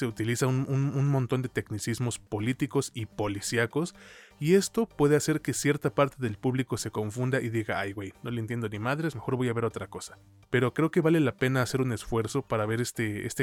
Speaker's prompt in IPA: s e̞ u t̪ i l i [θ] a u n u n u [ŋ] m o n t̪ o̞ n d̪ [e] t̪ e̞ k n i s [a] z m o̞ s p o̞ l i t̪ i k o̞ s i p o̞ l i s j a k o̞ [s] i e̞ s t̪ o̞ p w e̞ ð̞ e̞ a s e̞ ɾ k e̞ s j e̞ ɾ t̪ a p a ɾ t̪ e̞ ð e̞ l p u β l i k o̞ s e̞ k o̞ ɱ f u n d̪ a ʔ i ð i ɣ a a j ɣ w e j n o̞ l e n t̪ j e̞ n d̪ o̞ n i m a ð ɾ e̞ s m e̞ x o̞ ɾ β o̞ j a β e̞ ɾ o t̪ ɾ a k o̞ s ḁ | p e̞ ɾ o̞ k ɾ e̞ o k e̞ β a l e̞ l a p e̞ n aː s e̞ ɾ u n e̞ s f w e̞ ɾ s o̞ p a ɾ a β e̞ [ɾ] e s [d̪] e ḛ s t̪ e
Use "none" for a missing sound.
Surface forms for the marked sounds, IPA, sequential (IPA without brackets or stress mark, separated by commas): s, n, e, i, s, ɾ, t̪